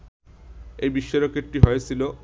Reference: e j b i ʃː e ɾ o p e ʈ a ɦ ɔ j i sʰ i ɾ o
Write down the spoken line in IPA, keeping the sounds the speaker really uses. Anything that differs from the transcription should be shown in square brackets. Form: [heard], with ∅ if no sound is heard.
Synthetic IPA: e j b i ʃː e ɾ o [k] e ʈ [i] ɦ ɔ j [e] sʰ i [l] o